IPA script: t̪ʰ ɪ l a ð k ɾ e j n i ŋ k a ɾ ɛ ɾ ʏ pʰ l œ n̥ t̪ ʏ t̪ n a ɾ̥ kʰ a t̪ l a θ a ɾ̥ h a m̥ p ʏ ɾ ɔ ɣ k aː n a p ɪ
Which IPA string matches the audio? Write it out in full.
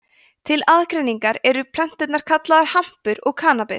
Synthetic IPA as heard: t̪ʰ ɪ l a ð k ɾ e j n i ŋ k a ɾ ɛ ɾ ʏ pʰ l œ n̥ t̪ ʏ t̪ n a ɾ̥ kʰ a t̪ l a ð a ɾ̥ h a m̥ p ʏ ɾ ɔ ɣ kʰ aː n a p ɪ